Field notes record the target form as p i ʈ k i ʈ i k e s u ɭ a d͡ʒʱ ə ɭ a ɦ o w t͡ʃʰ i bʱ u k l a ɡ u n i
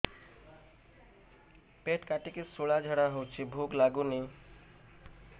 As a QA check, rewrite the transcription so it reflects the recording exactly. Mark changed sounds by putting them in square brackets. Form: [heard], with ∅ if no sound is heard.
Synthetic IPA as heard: p [e] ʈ k [a] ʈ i k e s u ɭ a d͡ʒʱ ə [ɽ] a ɦ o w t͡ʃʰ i bʱ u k l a ɡ u n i